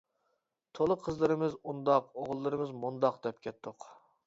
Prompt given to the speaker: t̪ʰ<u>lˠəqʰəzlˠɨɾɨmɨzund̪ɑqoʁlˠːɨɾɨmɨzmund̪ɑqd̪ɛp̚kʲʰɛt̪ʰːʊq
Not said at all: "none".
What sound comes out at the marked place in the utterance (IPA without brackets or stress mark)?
o